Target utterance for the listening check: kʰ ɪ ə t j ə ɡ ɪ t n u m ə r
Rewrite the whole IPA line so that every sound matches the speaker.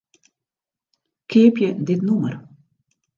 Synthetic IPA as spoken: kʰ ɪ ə p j ə d ɪ t n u m ə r